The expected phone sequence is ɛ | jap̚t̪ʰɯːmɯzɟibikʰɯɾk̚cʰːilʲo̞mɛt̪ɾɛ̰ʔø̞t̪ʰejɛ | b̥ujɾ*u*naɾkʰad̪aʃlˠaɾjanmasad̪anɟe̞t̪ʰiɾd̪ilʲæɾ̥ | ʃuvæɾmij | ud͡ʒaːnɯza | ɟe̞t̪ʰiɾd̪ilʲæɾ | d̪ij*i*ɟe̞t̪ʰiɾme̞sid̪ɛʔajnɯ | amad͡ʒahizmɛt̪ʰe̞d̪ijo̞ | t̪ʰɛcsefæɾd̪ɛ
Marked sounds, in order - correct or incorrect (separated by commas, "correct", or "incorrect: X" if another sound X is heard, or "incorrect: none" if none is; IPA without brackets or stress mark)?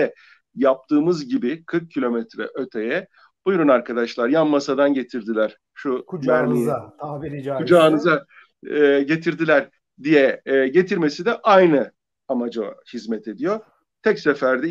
correct, incorrect: ɛ